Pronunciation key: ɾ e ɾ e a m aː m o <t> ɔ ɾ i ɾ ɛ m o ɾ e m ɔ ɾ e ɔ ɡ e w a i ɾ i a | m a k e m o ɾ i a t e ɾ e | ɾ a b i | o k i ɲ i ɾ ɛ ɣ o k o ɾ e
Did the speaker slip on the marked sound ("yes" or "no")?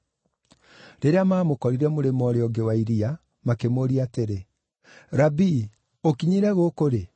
yes